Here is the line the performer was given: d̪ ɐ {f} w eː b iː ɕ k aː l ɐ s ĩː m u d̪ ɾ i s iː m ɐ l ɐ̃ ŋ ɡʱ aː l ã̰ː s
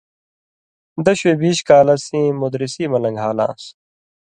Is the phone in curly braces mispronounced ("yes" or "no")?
yes